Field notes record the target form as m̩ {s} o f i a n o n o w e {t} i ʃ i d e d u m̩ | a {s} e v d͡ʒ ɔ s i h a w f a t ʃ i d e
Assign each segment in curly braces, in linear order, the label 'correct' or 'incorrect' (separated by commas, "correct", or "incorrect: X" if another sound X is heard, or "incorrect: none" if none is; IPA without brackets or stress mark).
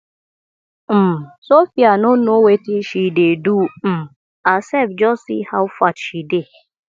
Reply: correct, correct, correct